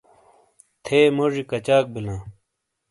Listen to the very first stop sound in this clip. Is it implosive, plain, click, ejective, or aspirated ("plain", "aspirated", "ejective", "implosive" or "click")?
aspirated